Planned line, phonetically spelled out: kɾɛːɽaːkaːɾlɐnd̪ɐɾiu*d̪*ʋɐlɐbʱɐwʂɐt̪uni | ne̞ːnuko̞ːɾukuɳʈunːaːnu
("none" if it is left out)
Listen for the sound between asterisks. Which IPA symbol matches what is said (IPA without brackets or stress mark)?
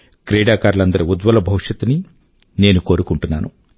d̪